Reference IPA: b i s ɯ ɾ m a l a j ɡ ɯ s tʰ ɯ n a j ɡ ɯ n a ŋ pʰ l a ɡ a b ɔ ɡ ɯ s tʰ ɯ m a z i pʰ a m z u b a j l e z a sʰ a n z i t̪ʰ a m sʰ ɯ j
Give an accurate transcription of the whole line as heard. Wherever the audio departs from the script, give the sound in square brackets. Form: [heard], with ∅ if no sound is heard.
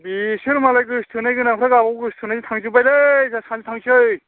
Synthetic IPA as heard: b i s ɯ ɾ m a l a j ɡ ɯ s tʰ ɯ n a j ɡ ɯ n a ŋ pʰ [ɾ] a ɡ a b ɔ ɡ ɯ s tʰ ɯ [n] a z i [tʰ] a [ŋ] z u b a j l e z a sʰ a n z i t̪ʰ a [ŋ] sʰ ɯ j